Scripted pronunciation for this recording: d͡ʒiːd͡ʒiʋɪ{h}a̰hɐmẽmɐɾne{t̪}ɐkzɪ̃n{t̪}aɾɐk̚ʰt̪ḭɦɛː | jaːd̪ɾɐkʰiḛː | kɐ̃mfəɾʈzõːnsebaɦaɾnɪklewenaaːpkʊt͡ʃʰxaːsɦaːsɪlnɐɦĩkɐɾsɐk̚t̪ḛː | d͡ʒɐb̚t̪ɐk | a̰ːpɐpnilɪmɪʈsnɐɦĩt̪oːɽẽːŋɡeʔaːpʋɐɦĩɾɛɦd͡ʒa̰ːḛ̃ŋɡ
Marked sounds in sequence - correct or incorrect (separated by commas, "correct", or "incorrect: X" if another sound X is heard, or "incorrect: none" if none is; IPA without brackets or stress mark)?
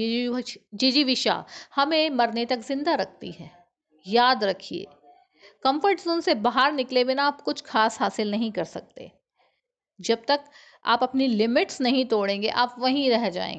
incorrect: ʃ, correct, incorrect: d̪